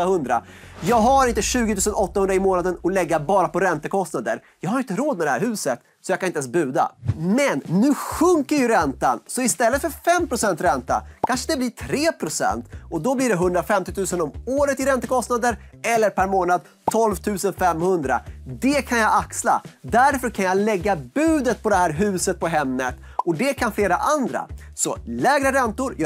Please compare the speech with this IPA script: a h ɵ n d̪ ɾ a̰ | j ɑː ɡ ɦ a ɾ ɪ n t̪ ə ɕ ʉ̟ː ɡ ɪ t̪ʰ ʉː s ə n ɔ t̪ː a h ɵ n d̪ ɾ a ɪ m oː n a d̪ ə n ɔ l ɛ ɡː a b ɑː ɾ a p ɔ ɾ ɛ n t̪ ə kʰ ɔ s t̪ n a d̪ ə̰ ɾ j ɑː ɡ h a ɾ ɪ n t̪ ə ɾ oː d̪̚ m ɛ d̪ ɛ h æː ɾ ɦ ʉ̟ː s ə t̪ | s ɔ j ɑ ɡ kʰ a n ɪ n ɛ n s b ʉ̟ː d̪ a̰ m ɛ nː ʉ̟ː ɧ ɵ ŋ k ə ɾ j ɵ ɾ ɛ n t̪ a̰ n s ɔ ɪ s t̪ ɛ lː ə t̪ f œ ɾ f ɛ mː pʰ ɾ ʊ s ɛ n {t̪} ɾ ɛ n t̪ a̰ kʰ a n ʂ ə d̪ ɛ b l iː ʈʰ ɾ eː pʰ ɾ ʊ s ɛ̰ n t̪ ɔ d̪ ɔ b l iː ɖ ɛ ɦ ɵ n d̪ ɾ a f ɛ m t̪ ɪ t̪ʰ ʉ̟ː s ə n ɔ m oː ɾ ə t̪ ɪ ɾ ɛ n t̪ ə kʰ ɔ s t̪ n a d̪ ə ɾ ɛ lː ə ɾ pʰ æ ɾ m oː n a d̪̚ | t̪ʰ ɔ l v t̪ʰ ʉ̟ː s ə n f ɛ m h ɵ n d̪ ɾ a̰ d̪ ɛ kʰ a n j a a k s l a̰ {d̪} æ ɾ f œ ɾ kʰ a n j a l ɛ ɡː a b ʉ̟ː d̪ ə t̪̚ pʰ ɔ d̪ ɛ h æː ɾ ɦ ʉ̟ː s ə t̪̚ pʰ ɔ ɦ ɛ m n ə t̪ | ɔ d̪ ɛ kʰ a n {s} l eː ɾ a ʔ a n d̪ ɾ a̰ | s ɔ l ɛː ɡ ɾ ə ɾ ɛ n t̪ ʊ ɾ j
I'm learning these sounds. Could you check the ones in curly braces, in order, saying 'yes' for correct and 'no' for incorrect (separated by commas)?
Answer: yes, yes, no